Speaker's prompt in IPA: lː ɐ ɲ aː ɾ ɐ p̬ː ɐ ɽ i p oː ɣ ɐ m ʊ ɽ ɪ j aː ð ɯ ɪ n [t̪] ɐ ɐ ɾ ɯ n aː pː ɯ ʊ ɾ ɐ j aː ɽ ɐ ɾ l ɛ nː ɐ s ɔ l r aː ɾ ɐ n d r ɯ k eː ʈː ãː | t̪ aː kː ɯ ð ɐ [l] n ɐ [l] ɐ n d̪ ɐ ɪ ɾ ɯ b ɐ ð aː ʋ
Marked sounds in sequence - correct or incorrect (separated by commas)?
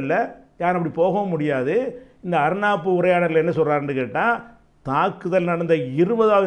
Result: incorrect, correct, incorrect